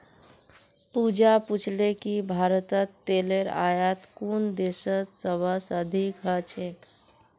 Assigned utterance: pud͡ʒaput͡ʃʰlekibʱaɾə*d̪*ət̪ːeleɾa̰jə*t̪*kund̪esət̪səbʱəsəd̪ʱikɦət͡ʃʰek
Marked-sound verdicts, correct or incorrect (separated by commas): incorrect, correct